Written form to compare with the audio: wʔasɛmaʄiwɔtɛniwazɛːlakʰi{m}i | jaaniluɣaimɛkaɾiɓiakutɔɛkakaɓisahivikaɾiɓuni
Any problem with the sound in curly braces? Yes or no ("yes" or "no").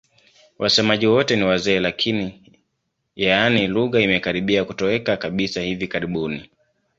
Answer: yes